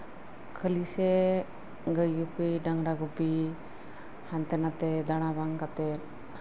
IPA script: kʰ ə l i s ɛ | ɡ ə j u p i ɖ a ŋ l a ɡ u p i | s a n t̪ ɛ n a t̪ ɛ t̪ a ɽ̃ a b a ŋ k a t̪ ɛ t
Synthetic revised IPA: kʰ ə l i s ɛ | ɡ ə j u p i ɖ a ŋ ɾ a ɡ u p i | h a n t̪ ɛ n a t̪ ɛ d̪ a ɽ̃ a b a ŋ k a t̪ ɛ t